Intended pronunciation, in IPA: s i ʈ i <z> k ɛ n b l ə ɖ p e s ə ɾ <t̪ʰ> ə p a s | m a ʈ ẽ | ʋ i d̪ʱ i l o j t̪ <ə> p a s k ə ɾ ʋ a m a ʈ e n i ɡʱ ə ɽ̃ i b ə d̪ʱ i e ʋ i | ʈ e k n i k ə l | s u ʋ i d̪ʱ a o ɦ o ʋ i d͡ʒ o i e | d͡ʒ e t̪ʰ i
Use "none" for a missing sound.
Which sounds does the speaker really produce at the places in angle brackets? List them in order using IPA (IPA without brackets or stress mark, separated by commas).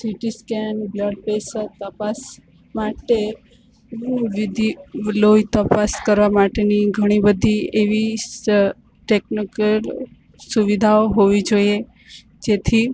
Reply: s, t̪, ə